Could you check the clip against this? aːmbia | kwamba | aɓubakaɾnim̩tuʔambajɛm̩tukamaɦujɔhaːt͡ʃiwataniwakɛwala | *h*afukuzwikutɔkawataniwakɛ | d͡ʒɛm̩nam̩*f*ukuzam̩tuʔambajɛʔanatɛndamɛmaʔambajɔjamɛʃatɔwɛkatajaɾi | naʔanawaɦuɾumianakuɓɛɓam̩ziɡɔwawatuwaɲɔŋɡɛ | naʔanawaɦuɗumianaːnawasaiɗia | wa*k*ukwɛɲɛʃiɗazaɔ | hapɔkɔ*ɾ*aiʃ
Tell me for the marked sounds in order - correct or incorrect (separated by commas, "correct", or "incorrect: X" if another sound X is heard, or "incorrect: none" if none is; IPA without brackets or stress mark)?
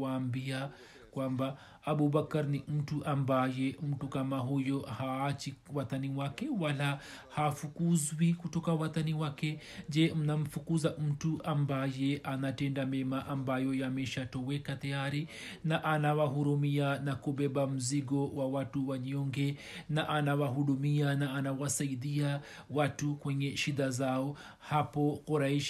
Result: correct, correct, incorrect: t, correct